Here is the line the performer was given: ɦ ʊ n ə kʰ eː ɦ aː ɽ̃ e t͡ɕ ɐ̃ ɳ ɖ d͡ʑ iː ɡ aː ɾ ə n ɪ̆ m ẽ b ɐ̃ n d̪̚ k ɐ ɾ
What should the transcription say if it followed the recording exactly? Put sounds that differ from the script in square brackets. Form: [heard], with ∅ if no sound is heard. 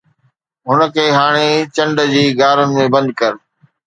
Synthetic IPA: ɦ ʊ n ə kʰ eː ɦ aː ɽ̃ e t͡ɕ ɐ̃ ɳ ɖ d͡ʑ iː ɡ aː ɾ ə n ɪ̆ m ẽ b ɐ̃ n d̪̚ k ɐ ɾ